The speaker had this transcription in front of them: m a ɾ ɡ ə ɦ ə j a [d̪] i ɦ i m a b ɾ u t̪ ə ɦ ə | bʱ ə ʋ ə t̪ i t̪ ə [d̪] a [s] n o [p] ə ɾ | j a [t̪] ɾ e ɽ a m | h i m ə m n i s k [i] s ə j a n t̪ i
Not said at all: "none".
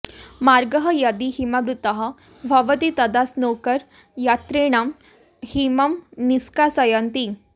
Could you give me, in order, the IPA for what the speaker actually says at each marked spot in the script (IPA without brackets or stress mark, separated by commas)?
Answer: d̪, d̪, s, k, t̪, a